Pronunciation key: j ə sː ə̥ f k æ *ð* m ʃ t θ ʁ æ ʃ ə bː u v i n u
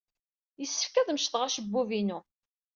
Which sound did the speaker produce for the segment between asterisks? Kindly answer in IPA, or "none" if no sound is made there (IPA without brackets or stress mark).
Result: ð